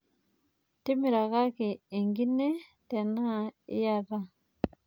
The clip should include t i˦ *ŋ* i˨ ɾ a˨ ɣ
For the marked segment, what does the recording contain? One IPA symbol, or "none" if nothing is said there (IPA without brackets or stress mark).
m